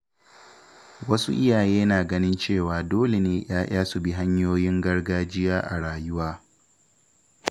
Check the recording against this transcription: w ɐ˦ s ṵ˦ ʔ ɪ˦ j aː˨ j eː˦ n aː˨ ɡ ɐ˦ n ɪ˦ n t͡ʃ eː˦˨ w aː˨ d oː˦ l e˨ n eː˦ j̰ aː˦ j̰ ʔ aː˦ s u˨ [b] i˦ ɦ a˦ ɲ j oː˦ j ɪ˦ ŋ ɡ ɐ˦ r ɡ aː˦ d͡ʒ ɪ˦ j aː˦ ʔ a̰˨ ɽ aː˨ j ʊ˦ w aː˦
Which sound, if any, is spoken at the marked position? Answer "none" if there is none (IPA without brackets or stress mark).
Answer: b